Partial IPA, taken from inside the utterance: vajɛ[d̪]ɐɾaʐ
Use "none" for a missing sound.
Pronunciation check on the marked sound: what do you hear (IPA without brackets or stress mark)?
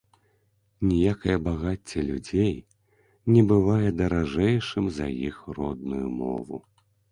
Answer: d̪